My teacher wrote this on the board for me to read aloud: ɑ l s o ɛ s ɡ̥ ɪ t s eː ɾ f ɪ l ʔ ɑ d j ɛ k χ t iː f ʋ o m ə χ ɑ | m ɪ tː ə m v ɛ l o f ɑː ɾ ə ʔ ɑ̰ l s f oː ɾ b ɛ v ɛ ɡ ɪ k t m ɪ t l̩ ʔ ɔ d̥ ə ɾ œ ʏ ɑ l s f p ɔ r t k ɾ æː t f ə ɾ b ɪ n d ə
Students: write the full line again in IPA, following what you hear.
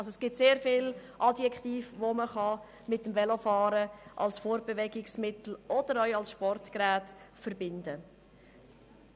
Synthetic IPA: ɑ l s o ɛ s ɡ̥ ɪ t s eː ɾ f ɪ l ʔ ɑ d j ɛ k χ t iː f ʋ o m ə χ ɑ | m ɪ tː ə m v ɛ l o f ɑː ɾ ə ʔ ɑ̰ l s f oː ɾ b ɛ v ɛ ɡ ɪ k s m ɪ t l̩ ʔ ɔ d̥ ə ɾ œ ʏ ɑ l s ʃ p ɔ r t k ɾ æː t f ə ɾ b ɪ n d ə